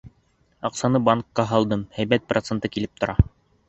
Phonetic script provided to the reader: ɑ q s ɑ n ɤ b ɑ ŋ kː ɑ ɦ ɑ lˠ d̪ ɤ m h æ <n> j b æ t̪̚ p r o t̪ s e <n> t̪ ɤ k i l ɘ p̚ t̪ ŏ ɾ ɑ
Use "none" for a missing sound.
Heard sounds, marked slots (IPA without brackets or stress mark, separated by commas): none, n